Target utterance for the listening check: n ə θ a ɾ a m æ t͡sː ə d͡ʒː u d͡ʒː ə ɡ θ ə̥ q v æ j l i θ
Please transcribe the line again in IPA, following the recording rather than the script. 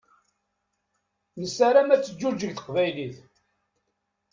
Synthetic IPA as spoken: n ə s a ɾ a m æ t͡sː ə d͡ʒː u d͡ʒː ə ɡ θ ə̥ q v æ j l i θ